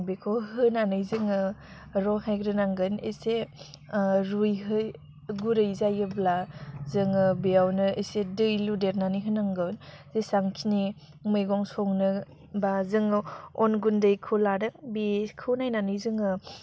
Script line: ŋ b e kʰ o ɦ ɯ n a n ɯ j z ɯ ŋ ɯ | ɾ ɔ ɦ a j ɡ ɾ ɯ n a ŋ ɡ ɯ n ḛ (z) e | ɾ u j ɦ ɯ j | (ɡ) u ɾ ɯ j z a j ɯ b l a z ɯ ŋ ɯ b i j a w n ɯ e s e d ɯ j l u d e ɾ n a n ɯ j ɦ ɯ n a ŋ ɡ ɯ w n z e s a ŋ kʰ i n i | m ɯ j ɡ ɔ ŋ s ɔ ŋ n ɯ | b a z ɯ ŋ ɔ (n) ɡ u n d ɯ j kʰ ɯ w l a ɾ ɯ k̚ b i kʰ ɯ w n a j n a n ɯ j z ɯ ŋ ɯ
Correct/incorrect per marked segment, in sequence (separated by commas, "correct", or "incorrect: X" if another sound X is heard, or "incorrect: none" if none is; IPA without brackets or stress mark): incorrect: s, correct, correct